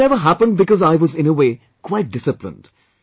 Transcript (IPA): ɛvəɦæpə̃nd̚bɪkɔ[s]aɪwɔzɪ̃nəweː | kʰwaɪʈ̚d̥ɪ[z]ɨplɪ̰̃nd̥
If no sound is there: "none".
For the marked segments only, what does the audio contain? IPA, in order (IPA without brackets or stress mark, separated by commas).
z, s